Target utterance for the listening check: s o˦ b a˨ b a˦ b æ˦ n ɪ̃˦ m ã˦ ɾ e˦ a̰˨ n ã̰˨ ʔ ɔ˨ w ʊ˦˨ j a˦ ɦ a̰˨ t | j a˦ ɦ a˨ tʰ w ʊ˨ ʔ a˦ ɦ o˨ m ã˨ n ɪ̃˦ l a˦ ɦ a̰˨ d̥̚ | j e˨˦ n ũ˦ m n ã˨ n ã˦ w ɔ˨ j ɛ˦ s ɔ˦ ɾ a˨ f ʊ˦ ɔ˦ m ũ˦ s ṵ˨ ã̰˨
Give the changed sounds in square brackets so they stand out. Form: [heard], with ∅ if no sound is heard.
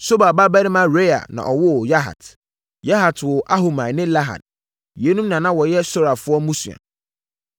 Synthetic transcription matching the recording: s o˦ b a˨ b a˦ b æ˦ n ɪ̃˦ m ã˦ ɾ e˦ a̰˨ n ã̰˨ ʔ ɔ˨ w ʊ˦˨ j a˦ ɦ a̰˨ t | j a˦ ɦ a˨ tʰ w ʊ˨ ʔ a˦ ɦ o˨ m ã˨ n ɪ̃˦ l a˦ ɦ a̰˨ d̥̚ | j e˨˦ n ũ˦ m n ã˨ n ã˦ w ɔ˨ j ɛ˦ s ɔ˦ ɾ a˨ f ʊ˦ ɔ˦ m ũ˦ s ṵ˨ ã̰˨